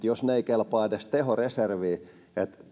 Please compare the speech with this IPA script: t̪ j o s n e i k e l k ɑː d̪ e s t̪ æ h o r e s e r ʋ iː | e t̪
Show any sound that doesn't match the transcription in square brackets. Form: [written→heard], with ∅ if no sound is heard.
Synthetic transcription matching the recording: t̪ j o s n e i k e l [k→p] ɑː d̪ e s t̪ [æ→e] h o r e s e r ʋ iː | e t̪